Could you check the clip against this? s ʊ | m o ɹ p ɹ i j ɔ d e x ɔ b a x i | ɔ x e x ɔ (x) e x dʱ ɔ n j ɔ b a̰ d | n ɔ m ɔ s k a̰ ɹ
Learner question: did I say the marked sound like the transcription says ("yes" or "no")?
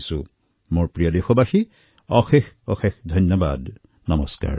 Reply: yes